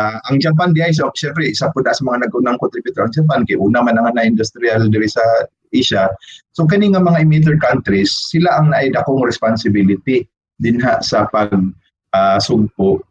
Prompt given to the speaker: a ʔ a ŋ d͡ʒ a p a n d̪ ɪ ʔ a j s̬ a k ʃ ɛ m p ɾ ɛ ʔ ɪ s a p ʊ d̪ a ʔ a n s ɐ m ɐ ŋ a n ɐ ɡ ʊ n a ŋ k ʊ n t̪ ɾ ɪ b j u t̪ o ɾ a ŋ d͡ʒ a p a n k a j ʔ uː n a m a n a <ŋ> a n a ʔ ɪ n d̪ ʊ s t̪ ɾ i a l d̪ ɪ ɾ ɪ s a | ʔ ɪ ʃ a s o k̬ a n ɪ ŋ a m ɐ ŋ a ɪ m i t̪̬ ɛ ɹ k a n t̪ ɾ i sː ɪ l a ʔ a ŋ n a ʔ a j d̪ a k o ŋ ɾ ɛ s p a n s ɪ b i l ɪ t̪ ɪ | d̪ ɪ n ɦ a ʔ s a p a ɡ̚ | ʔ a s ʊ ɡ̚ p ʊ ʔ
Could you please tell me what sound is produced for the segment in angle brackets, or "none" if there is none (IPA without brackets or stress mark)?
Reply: ŋ